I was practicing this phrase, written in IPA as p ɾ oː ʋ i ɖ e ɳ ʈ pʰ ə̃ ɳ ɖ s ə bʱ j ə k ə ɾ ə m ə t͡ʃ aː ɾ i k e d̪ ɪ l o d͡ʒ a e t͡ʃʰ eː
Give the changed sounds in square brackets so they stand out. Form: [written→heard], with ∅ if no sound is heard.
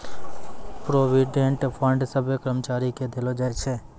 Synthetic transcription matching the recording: p ɾ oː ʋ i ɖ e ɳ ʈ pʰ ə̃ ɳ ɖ s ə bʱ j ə k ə ɾ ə m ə t͡ʃ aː ɾ i k e d̪ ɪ l o d͡ʒ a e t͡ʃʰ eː